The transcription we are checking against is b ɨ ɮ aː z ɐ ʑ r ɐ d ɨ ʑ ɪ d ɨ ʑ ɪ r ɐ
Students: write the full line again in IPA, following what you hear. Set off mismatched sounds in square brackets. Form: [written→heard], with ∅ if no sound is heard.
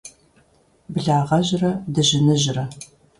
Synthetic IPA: b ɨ ɮ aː [z→ʁ] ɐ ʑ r ɐ d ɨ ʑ ɪ [d→n] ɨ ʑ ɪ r ɐ